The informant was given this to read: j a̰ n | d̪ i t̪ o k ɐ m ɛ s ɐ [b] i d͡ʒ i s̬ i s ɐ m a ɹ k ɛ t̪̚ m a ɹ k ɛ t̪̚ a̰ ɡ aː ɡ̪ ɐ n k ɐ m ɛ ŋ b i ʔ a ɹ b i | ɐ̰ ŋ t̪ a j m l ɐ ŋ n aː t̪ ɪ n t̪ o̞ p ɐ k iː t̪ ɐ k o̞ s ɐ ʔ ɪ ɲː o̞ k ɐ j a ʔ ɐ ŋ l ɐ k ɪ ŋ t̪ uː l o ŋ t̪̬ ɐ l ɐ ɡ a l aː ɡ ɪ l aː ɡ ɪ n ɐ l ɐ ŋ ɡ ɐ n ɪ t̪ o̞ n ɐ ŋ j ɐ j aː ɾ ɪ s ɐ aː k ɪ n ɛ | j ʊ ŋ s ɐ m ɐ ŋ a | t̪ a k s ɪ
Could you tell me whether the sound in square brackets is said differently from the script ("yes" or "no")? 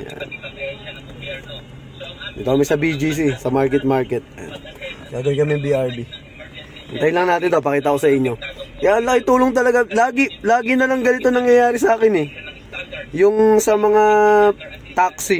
no